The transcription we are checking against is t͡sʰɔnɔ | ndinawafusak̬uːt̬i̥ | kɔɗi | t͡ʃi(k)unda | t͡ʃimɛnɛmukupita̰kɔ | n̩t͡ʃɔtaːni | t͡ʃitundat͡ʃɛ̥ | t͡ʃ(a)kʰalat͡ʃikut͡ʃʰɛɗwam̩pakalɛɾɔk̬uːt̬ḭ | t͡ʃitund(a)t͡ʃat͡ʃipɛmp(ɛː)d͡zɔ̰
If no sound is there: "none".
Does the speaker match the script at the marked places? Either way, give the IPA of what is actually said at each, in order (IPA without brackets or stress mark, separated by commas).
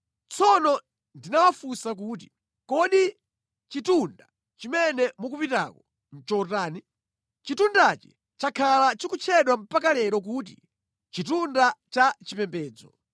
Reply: t, a, a, ɛː